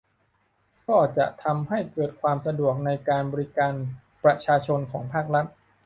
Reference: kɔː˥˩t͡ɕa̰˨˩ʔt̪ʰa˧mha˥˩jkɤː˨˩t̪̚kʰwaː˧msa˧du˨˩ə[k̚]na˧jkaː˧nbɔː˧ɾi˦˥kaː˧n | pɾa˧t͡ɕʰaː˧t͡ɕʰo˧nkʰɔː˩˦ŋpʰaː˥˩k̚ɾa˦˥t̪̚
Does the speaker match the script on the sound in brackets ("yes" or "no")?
yes